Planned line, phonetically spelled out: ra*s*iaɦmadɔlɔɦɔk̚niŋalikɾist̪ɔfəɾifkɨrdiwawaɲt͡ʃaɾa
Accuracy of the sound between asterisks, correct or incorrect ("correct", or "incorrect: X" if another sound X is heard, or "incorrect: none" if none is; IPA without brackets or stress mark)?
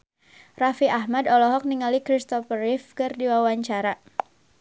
incorrect: f